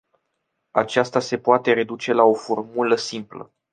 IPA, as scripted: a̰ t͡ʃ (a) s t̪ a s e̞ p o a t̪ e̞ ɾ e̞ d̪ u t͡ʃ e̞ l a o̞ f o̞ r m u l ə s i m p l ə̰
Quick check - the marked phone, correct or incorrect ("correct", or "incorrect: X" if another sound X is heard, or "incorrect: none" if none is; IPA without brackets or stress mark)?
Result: correct